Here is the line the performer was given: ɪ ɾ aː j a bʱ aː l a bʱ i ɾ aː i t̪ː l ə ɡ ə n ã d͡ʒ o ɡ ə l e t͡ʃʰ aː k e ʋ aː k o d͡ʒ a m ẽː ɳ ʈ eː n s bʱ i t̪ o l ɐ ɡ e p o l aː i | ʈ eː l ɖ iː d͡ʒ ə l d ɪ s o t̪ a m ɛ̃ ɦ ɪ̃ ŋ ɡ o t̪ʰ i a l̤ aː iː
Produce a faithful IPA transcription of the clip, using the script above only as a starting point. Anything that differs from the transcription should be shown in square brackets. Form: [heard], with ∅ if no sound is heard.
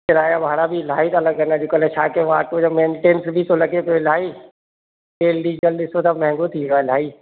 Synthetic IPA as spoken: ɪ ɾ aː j a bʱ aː [ɽ] a bʱ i [l] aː i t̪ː l ə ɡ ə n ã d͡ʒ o [k] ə l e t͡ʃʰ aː k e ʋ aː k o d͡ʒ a m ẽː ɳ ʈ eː n s bʱ i t̪ o l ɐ ɡ e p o l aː i | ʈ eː l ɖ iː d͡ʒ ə l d ɪ s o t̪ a m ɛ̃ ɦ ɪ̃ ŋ ɡ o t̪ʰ i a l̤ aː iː